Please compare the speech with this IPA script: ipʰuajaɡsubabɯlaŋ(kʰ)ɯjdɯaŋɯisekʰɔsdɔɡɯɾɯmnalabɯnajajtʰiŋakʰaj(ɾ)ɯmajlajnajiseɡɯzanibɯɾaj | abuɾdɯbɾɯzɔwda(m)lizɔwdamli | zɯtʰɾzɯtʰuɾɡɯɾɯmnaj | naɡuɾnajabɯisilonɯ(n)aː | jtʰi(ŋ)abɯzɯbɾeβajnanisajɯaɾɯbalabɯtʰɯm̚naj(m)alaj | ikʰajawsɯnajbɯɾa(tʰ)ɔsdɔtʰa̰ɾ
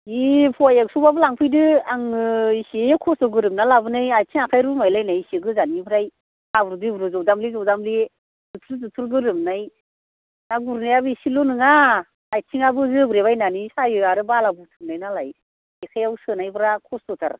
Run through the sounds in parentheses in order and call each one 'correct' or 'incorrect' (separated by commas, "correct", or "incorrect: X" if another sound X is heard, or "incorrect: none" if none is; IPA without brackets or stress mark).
incorrect: pʰ, correct, correct, incorrect: ŋ, correct, incorrect: n, incorrect: kʰ